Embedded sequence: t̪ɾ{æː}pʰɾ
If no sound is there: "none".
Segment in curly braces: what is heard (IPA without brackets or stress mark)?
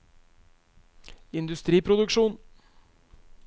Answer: iː